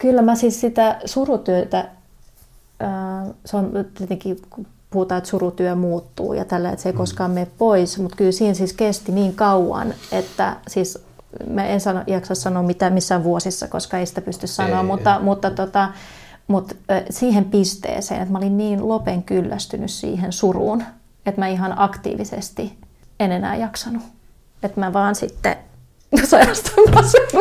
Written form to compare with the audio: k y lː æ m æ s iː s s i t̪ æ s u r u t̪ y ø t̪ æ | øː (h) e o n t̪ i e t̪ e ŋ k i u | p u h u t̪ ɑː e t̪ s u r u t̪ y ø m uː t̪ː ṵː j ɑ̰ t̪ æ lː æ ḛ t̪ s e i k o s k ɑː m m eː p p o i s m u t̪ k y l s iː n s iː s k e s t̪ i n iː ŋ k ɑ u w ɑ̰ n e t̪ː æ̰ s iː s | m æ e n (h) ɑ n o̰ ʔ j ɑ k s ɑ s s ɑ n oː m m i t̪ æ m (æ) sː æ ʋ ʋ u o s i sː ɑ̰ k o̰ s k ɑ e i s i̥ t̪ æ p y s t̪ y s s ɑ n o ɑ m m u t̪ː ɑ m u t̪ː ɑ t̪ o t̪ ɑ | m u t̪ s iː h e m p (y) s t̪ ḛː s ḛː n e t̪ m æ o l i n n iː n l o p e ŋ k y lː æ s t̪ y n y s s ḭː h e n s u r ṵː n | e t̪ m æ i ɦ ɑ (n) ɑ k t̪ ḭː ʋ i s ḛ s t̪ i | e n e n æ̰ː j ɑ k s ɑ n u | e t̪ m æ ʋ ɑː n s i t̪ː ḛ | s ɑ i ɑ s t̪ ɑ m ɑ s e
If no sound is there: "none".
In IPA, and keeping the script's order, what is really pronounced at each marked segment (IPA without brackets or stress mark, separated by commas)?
s, s, i, i, n